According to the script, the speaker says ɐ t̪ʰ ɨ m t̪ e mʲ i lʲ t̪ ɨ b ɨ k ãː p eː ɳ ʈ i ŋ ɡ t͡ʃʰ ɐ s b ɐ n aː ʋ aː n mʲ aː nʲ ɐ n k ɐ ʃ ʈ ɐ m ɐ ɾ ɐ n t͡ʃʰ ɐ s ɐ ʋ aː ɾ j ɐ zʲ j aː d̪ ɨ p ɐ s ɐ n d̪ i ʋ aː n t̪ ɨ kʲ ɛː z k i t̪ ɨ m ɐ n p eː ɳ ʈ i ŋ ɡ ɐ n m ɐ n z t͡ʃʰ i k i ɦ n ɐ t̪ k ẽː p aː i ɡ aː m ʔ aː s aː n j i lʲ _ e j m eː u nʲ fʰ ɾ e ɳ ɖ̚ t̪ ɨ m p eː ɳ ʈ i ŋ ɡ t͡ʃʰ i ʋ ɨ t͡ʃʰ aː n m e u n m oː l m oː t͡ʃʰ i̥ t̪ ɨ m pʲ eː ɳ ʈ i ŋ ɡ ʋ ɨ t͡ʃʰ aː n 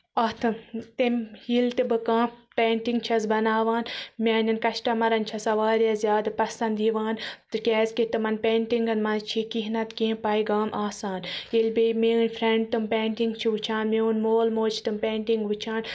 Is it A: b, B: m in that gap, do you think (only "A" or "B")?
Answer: A